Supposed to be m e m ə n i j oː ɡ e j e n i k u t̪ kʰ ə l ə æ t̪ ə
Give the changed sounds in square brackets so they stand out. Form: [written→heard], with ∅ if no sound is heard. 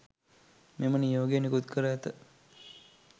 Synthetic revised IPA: m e m ə n i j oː ɡ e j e n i k u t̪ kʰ ə [l→ɾ] ə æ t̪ ə